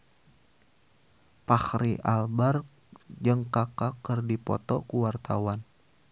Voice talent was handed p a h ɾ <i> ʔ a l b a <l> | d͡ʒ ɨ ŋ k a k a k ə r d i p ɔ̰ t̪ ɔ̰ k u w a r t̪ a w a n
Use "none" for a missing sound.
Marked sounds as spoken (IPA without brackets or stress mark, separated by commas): i, r